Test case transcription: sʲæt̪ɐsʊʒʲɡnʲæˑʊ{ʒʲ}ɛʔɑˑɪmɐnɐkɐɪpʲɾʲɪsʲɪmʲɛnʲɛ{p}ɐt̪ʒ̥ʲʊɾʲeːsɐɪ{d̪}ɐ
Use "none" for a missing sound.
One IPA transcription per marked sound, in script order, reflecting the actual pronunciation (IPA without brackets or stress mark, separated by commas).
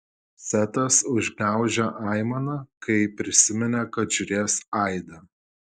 ʒʲ, k, d̪